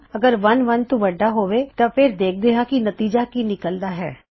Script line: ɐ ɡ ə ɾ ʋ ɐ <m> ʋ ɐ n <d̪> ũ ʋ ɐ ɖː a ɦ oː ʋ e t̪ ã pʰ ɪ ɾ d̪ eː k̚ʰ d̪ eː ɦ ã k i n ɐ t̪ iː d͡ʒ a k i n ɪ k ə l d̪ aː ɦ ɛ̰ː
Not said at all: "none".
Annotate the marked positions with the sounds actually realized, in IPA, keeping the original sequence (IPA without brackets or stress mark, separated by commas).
n, t̪